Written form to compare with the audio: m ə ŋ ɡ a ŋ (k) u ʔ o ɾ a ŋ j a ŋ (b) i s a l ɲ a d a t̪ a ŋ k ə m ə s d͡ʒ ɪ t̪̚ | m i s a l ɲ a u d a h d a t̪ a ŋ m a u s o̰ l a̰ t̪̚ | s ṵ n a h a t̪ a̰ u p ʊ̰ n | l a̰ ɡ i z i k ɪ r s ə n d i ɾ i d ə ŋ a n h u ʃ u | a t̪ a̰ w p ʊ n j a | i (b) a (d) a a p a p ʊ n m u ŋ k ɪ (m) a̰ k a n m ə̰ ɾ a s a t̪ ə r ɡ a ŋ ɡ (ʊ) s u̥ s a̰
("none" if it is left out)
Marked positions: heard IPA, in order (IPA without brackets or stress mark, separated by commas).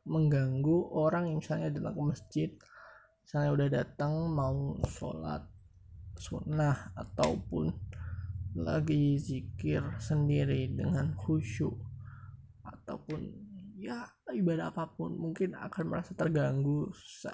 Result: ɡ, m, b, d, n, u